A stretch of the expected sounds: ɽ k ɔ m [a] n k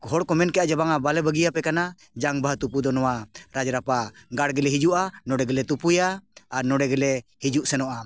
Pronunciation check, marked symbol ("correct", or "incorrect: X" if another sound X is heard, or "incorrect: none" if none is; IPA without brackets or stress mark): incorrect: ɛ